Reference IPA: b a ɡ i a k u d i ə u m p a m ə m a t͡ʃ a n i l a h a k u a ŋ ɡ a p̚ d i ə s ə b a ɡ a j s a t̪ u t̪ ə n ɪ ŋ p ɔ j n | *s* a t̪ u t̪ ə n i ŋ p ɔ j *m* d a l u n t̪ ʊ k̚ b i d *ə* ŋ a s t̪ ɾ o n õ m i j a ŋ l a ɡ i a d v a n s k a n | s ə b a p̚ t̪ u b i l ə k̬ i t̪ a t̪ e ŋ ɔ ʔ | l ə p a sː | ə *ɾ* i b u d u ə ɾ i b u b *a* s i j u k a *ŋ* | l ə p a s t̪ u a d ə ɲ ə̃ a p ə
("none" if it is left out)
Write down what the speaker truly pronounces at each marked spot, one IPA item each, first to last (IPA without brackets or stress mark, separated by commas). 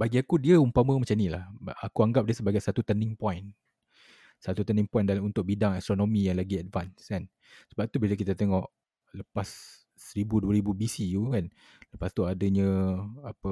s, n, a, ɾ, i, n